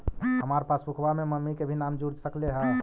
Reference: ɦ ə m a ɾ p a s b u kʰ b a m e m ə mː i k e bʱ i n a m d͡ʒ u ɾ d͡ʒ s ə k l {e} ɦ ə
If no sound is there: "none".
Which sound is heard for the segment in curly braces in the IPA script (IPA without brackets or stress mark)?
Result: e